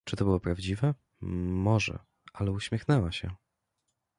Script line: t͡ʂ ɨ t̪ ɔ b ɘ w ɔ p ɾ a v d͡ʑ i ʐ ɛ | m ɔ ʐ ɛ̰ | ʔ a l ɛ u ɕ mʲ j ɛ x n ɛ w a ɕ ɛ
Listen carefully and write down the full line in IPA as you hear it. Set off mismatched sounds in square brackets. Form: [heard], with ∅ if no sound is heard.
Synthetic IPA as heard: t͡ʂ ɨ t̪ ɔ b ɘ w ɔ p ɾ a v d͡ʑ i [v] ɛ | m ɔ ʐ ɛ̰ | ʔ a l ɛ u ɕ mʲ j ɛ x n ɛ w a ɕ ɛ